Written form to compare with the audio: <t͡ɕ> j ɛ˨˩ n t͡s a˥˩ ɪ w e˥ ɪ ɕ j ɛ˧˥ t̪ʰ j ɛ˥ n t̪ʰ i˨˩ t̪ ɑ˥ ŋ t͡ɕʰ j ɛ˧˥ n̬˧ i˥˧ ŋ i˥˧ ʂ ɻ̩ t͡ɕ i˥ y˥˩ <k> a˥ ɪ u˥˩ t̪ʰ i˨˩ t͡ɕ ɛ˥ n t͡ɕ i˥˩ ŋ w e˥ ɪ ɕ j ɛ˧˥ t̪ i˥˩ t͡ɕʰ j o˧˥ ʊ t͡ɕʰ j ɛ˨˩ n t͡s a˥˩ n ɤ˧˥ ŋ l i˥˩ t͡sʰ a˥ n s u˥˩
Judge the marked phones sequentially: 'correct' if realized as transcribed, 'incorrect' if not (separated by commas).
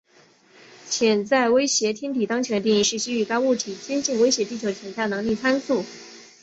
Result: incorrect, correct